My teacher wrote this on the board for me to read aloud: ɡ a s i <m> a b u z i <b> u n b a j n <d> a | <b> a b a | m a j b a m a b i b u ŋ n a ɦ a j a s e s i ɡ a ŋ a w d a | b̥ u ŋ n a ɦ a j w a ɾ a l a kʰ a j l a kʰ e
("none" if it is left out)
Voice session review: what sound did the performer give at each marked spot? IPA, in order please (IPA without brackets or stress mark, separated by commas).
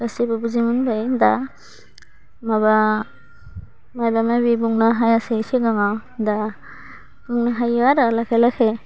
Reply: b, m, d, m